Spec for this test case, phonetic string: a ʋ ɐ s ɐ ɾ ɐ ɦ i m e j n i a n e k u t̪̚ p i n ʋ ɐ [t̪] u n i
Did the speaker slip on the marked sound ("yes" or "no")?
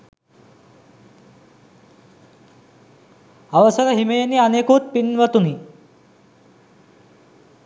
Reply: no